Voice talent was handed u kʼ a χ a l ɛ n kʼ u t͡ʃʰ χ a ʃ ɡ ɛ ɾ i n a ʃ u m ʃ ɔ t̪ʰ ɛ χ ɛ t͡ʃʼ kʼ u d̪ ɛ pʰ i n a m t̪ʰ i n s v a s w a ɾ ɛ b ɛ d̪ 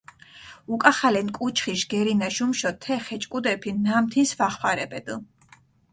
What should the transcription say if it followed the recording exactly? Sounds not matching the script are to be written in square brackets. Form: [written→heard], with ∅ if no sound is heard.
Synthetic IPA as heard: u kʼ a χ a l ɛ n kʼ u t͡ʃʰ χ [a→i] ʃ ɡ ɛ ɾ i n a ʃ u m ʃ ɔ t̪ʰ ɛ χ ɛ t͡ʃʼ kʼ u d̪ ɛ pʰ i n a m t̪ʰ i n s v a [s→χ] w a ɾ ɛ b ɛ d̪